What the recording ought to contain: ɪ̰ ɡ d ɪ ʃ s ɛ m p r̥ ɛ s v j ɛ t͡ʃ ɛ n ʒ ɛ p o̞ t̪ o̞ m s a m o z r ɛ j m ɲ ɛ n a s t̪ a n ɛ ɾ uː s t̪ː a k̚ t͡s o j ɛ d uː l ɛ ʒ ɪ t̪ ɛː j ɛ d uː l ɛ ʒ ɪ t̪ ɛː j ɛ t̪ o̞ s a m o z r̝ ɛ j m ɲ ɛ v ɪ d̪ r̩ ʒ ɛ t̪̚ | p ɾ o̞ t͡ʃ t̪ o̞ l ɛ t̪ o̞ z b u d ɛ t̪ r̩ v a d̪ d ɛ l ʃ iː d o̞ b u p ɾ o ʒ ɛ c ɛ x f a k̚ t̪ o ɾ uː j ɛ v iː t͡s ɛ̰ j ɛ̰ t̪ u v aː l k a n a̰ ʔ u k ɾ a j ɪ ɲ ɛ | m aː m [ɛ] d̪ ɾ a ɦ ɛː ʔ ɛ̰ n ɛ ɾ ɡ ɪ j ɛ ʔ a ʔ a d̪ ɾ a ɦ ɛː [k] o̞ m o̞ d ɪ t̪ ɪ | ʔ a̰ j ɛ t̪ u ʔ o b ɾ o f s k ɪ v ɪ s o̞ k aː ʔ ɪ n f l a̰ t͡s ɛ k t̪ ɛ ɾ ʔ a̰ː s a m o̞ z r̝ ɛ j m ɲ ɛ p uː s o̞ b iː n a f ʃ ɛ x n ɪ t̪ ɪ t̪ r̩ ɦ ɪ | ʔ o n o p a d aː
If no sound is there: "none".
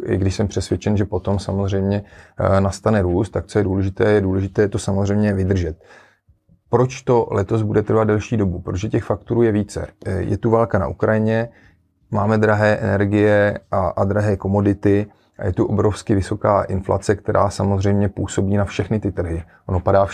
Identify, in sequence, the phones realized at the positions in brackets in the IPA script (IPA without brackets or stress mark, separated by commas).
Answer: ɛ, k